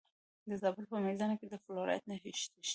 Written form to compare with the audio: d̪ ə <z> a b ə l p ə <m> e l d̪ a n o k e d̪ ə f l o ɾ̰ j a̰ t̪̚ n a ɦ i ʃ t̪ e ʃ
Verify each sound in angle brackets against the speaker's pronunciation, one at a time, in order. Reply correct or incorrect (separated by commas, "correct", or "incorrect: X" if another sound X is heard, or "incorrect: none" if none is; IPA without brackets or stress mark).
correct, correct